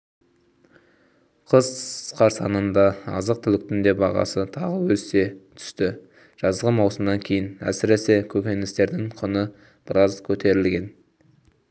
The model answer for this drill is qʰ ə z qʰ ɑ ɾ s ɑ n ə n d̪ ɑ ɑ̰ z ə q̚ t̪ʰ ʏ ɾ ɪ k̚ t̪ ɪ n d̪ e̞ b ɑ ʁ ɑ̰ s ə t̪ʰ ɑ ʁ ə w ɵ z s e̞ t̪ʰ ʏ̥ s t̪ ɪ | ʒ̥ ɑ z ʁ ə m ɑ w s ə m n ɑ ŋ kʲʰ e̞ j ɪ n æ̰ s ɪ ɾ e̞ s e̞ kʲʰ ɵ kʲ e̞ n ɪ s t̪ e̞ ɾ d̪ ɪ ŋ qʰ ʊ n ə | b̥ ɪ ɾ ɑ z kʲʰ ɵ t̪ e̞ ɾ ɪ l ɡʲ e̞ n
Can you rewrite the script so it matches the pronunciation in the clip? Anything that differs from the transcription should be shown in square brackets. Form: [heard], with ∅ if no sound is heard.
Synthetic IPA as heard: qʰ ə z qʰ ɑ ɾ s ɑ n ə n d̪ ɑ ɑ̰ z ə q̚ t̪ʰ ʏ [l] ɪ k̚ t̪ ɪ n d̪ e̞ b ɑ ʁ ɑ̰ s ə t̪ʰ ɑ ʁ ə w ɵ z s e̞ t̪ʰ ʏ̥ s t̪ ɪ | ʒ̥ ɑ z ʁ ə m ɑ w s ə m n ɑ ŋ kʲʰ e̞ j ɪ n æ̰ s ɪ ɾ e̞ s e̞ kʲʰ ɵ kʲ e̞ n ɪ s t̪ e̞ ɾ d̪ ɪ ŋ qʰ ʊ n ə | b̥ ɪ ɾ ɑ z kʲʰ ɵ t̪ e̞ ɾ ɪ l ɡʲ e̞ n